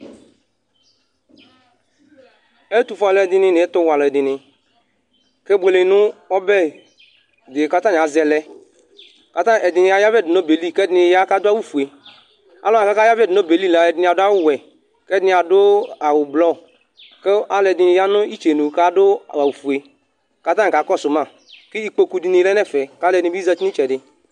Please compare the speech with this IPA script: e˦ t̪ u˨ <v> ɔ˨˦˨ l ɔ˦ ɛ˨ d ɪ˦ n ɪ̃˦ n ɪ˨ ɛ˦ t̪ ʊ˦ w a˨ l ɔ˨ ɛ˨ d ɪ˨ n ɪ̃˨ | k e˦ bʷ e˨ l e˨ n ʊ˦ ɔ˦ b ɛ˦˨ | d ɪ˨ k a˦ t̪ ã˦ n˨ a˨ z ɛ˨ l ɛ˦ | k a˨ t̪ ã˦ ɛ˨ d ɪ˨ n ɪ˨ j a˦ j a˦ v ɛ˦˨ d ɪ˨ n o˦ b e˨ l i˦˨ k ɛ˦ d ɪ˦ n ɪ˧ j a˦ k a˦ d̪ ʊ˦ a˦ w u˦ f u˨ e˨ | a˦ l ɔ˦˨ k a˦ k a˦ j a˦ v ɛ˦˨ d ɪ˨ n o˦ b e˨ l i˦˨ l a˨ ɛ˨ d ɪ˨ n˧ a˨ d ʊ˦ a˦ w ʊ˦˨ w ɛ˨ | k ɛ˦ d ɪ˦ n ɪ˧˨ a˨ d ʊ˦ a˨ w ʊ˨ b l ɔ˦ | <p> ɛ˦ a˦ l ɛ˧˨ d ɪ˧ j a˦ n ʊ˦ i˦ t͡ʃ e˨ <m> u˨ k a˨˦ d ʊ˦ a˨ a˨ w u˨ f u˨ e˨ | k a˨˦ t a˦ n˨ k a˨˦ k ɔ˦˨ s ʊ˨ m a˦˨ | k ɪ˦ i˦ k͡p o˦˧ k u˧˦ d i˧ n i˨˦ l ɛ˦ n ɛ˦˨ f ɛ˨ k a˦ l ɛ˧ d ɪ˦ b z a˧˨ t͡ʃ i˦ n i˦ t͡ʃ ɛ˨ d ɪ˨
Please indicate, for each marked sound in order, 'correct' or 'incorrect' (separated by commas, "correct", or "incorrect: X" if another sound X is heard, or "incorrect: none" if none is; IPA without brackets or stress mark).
incorrect: f, incorrect: k, incorrect: n